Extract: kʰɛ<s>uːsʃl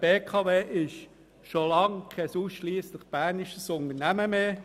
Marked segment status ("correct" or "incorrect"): correct